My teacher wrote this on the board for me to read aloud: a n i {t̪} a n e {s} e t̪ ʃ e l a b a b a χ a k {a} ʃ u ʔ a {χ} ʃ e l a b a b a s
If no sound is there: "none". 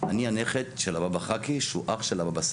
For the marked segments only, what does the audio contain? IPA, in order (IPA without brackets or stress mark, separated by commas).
none, χ, i, χ